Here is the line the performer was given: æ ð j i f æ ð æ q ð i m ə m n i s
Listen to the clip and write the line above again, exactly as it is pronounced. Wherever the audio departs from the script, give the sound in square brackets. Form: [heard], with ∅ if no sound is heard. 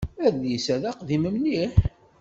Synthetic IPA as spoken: æ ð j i [s] æ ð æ q ð i m ə m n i [ħ]